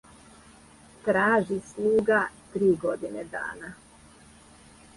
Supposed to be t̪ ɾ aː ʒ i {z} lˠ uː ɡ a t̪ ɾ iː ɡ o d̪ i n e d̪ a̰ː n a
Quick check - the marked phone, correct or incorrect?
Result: incorrect